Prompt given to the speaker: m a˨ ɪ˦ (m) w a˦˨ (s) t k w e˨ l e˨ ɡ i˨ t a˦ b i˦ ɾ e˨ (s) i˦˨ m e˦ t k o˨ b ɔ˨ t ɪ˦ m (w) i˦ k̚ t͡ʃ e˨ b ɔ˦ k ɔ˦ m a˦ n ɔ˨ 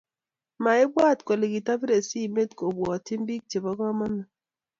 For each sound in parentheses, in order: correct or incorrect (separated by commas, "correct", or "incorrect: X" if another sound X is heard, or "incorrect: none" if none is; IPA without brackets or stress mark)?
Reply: incorrect: b, incorrect: none, correct, incorrect: b